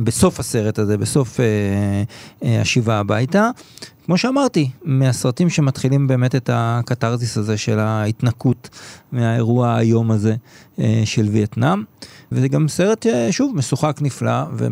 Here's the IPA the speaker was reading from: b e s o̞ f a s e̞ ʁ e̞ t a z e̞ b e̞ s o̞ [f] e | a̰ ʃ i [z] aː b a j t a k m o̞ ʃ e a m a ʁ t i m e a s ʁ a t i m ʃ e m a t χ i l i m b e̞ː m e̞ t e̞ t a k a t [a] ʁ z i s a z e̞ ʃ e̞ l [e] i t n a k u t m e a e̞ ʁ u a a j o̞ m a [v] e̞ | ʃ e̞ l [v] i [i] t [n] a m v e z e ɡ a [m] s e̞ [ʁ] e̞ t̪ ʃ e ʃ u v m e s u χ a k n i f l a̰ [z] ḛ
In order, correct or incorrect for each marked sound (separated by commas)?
correct, incorrect, correct, incorrect, incorrect, correct, incorrect, correct, correct, correct, incorrect